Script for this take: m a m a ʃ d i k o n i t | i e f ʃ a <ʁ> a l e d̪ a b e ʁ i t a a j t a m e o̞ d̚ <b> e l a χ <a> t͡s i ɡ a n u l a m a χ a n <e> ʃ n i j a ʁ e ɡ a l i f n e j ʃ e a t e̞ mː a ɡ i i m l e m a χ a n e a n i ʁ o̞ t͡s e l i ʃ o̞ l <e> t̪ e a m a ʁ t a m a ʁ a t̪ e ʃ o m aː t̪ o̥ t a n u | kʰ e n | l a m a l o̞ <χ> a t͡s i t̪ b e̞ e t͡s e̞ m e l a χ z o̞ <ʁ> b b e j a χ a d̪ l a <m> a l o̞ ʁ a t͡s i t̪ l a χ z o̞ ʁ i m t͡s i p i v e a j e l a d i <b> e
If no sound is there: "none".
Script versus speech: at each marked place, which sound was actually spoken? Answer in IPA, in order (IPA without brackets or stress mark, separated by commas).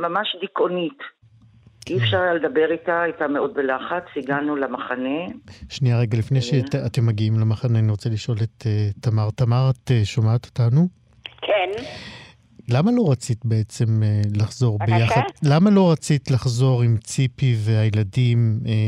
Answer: ʁ, b, a, e, e, ʁ, ʁ, m, m